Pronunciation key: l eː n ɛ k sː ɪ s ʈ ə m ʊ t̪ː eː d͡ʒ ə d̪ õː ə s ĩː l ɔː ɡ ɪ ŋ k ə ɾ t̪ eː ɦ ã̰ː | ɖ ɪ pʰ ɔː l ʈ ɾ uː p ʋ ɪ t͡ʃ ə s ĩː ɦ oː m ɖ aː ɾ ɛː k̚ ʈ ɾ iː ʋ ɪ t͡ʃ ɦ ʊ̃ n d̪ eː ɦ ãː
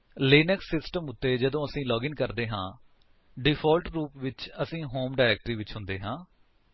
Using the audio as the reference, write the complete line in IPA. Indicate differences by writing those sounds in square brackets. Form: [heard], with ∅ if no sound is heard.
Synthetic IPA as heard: l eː n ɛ k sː ɪ s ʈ ə m ʊ t̪ː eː d͡ʒ ə d̪ õː ə s ĩː l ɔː ɡ ɪ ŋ k ə ɾ [d̪] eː ɦ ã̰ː | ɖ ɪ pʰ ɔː l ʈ ɾ uː p ʋ ɪ t͡ʃ ə s ĩː ɦ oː m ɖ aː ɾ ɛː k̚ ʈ ɾ iː ʋ ɪ t͡ʃ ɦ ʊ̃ n d̪ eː ɦ ãː